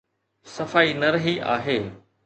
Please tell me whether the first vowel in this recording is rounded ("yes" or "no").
no